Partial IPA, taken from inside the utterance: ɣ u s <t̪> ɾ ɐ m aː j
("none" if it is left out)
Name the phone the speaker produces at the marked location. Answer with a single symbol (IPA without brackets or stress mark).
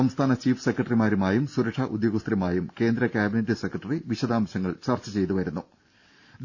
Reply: t̪